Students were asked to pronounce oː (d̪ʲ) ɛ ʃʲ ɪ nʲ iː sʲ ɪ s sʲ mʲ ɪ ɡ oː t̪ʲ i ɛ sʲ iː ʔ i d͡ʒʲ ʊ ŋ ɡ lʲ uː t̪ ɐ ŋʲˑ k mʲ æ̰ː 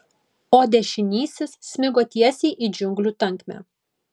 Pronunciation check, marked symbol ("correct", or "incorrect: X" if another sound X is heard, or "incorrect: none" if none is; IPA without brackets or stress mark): correct